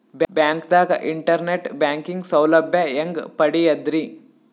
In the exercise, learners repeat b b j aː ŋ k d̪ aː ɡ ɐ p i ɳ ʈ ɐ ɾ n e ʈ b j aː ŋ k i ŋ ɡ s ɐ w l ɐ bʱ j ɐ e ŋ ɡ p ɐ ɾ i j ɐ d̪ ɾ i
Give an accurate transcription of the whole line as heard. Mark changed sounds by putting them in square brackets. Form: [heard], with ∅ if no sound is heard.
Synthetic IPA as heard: b b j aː ŋ k d̪ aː ɡ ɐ [ʔ] i ɳ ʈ ɐ ɾ n e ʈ b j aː ŋ k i ŋ ɡ s ɐ w l ɐ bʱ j ɐ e ŋ ɡ p ɐ [ɽ] i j ɐ d̪ ɾ i

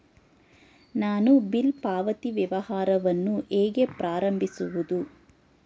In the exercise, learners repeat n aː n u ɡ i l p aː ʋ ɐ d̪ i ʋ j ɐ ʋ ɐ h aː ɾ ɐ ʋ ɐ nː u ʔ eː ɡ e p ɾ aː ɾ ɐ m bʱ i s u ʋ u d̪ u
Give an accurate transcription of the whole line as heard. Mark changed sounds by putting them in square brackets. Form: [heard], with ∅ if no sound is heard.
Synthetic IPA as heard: n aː n u [b] i l p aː ʋ ɐ [t̪] i ʋ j ɐ ʋ ɐ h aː ɾ ɐ ʋ ɐ nː u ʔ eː ɡ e p ɾ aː ɾ ɐ m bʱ i s u ʋ u d̪ u

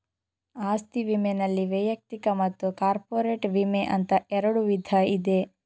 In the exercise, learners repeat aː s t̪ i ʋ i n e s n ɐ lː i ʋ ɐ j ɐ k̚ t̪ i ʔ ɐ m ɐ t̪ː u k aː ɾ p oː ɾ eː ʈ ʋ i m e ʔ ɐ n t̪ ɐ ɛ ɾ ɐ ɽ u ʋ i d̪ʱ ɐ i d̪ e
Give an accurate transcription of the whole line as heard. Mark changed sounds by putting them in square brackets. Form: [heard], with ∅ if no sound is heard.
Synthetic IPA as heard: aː s t̪ i ʋ i [m] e [∅] n ɐ lː i ʋ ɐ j ɐ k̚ t̪ i [k] ɐ m ɐ t̪ː u k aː ɾ p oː ɾ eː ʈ ʋ i m e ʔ ɐ n t̪ ɐ ɛ ɾ ɐ ɽ u ʋ i d̪ʱ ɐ i d̪ e

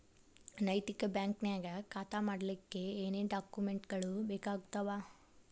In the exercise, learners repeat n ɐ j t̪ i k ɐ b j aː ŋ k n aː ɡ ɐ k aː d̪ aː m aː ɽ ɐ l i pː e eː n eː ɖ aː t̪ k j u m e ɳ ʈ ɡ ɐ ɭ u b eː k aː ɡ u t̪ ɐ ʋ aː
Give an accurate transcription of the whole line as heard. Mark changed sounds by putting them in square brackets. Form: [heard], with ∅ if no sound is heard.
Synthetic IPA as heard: n ɐ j t̪ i k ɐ b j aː ŋ k n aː ɡ ɐ k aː [t̪] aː m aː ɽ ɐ l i [kː] e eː n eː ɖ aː [∅] k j u m e ɳ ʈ ɡ ɐ ɭ u b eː k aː ɡ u t̪ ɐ ʋ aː

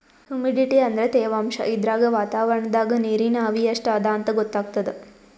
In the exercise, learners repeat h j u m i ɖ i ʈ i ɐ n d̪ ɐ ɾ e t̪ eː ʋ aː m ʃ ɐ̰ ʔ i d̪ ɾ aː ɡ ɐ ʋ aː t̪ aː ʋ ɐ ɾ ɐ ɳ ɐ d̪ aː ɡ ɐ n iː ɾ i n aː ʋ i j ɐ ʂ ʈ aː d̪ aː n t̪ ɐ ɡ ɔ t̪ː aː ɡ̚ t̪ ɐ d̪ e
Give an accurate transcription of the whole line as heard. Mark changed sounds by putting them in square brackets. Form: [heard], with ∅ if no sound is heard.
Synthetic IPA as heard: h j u m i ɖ i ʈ i ɐ n d̪ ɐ ɾ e t̪ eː ʋ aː m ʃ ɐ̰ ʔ i d̪ ɾ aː ɡ ɐ ʋ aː t̪ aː ʋ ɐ ɾ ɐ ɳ ɐ d̪ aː ɡ ɐ n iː ɾ i n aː ʋ i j ɐ ʂ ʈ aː d̪ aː n t̪ ɐ ɡ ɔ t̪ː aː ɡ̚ t̪ ɐ d̪ e

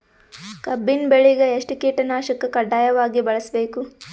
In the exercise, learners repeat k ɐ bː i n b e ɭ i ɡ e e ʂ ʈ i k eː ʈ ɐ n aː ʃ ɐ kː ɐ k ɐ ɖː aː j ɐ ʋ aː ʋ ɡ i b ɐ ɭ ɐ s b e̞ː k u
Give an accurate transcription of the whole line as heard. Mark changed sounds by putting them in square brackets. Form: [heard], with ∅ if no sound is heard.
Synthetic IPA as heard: k ɐ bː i n b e ɭ i ɡ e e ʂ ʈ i k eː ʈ ɐ n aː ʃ ɐ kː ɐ k ɐ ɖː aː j ɐ ʋ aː [∅] ɡ i b ɐ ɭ ɐ s b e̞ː k u

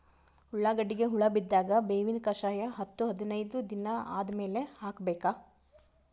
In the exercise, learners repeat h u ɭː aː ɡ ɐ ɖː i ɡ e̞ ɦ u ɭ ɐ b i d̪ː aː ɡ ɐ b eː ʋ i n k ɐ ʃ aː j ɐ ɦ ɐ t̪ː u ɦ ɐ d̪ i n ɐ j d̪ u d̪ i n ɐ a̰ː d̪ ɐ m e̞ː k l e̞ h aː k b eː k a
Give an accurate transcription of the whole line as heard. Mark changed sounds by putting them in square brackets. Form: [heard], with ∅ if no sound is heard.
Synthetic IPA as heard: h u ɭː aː ɡ ɐ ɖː i ɡ e̞ ɦ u ɭ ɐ b i d̪ː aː ɡ ɐ b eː ʋ i n k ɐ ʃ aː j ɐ ɦ ɐ t̪ː u ɦ ɐ d̪ i n ɐ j d̪ u d̪ i n ɐ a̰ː d̪ ɐ m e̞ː [∅] l e̞ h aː k b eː k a

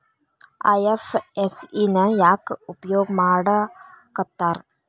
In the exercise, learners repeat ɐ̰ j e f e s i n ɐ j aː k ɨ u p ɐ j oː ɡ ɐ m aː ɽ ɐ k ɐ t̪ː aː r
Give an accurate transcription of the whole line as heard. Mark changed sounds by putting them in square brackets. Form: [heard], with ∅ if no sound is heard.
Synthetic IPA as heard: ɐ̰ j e f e s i n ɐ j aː k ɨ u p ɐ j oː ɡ ɐ m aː ɽ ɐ k ɐ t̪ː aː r

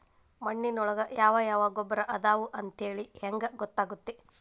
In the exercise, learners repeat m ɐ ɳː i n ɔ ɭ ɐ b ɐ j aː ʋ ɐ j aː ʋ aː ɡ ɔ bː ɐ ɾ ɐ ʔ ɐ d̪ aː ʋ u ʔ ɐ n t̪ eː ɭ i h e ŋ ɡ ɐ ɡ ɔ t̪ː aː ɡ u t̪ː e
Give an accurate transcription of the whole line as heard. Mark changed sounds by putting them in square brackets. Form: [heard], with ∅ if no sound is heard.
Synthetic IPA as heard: m ɐ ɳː i n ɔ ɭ ɐ [ɡ] ɐ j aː ʋ ɐ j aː ʋ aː ɡ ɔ bː ɐ ɾ ɐ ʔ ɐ d̪ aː ʋ u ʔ ɐ n t̪ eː ɭ i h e ŋ ɡ ɐ ɡ ɔ t̪ː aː ɡ u t̪ː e

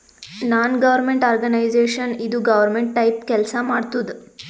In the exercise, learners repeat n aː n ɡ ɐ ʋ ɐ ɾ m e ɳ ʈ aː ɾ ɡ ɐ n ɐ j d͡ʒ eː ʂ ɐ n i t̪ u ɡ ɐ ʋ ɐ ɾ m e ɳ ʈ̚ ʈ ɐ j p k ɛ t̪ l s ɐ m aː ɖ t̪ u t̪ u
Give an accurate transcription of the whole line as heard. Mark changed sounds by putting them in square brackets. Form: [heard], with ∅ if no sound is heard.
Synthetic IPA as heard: n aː n ɡ ɐ ʋ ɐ ɾ m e ɳ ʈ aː ɾ ɡ ɐ n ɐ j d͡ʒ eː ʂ ɐ n i [d̪] u ɡ ɐ ʋ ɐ ɾ m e ɳ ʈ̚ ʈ ɐ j p k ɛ [∅] l s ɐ m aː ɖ t̪ u [d̪] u

